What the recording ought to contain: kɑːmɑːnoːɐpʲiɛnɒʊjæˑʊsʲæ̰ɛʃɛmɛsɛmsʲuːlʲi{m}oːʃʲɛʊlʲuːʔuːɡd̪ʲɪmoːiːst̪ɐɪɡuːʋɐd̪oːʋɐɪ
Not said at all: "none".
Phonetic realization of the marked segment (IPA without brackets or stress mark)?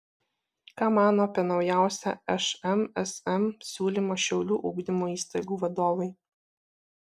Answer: m